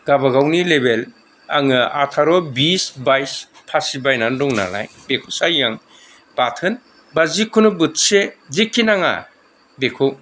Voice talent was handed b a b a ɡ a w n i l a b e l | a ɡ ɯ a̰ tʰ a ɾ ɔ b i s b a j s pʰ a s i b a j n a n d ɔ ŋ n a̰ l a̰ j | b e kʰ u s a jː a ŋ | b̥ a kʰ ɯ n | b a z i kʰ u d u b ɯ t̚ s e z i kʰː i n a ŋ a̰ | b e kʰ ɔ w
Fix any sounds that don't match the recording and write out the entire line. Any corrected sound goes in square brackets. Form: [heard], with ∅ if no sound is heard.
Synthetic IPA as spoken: [ɡ] a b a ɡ a w n i l [e] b e l | a [ŋ] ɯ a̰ tʰ a ɾ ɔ b i s b a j s pʰ a s i b a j n a n d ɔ ŋ n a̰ l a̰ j | b e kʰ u s a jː a ŋ | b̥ a [tʰ] ɯ n | b a z i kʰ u [n] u b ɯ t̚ s e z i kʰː i n a ŋ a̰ | b e kʰ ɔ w